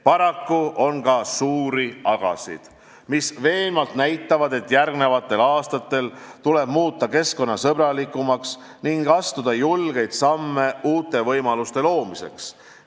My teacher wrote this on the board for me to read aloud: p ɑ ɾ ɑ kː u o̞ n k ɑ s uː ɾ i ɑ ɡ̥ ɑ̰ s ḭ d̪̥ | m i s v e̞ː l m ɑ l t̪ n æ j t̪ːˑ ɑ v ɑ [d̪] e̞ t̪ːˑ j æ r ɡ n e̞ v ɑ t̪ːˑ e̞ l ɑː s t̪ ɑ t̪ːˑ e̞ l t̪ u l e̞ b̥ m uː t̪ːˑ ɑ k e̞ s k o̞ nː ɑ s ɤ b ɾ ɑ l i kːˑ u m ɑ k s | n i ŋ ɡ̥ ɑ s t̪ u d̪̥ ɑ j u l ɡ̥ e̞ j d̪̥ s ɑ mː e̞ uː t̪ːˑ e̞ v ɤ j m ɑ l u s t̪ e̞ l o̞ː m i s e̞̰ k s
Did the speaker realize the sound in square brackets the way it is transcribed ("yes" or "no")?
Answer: yes